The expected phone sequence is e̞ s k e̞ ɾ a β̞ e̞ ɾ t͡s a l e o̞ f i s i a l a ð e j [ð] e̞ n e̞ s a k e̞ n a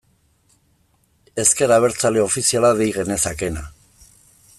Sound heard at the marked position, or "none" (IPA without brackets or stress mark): ɣ